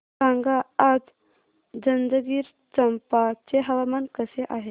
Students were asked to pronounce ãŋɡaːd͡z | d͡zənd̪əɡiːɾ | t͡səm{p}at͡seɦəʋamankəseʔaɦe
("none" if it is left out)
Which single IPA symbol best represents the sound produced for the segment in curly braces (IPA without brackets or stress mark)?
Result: p